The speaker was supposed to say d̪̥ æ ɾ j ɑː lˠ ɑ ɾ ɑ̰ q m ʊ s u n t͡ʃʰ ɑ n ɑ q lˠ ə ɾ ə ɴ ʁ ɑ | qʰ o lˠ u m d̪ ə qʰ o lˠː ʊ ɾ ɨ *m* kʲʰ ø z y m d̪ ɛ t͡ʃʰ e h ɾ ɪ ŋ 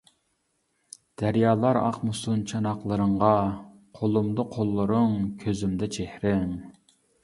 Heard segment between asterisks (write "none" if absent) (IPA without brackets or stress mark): ŋ